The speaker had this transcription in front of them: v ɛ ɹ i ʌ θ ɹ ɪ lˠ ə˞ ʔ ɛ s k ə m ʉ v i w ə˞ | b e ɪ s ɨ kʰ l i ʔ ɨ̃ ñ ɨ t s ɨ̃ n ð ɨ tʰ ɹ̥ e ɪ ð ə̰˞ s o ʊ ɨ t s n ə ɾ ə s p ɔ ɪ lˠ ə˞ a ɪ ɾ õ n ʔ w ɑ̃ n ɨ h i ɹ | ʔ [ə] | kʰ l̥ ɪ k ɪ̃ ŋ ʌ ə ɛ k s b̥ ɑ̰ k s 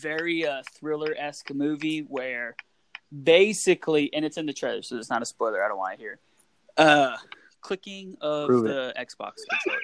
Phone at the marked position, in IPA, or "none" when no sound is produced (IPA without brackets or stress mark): ʌ